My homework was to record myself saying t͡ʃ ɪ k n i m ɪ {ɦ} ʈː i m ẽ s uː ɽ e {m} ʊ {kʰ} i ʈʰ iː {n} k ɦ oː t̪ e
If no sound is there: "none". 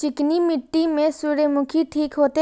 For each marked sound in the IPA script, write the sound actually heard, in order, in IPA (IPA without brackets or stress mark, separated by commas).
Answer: none, m, kʰ, none